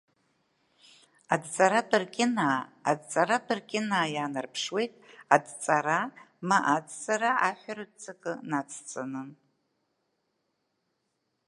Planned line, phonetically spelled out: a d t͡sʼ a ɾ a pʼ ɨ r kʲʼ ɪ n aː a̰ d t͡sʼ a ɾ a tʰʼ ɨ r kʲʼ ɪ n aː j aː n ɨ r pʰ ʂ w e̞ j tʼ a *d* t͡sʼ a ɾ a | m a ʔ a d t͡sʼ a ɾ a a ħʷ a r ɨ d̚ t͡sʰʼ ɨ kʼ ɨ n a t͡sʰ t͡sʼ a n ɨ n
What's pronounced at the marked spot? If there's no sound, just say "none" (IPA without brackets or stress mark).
d